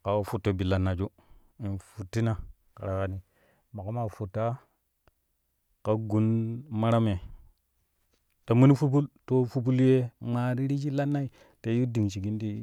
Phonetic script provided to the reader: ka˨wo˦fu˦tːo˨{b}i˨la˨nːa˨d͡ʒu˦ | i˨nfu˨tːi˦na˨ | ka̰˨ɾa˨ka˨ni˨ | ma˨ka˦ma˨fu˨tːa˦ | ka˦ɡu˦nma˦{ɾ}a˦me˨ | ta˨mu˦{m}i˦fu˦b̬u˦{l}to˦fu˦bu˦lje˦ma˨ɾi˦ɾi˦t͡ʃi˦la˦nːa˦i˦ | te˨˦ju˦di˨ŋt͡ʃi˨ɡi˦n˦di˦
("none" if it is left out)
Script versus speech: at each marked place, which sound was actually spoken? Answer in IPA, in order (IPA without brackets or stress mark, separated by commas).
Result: b, ɾ, n, l